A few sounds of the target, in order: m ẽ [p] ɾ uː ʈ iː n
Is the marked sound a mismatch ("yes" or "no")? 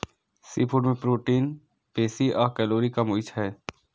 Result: no